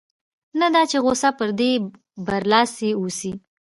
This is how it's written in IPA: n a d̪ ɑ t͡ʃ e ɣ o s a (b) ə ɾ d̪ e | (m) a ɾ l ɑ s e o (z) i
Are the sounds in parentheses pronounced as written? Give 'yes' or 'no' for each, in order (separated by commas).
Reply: no, no, no